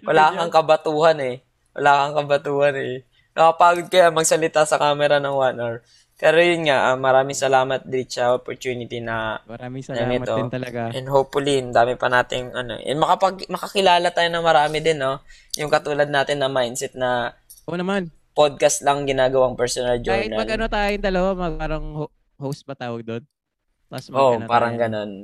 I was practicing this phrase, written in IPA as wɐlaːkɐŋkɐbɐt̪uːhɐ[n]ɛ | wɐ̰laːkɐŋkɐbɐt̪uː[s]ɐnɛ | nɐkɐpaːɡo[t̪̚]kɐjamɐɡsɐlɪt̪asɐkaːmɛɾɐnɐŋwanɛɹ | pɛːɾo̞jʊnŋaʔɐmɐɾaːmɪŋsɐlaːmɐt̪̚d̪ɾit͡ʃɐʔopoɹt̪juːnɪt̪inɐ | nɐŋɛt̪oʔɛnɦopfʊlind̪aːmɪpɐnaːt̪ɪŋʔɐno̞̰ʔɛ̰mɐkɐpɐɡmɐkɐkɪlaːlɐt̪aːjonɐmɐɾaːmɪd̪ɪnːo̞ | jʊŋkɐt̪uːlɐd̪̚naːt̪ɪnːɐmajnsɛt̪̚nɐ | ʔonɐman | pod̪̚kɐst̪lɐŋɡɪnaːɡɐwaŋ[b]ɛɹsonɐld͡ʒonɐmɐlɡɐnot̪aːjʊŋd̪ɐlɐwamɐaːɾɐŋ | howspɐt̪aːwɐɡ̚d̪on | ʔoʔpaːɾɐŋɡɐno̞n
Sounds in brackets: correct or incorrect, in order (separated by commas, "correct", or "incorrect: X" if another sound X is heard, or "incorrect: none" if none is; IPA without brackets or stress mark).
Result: correct, incorrect: h, incorrect: d̪̚, incorrect: p